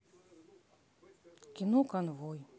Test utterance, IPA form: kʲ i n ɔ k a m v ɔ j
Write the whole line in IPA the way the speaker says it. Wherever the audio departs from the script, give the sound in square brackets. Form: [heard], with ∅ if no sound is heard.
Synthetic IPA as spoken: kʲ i n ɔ k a [n] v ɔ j